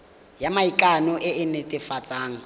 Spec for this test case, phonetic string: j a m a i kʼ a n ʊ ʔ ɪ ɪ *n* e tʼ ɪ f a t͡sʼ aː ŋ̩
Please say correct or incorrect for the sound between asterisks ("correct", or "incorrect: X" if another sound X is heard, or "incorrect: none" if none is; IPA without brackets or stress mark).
correct